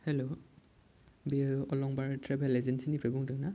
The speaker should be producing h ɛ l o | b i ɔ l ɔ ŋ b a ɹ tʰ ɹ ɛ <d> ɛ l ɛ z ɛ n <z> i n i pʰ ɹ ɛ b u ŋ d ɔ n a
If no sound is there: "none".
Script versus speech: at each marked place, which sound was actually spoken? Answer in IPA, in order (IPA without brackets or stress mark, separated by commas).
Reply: b, s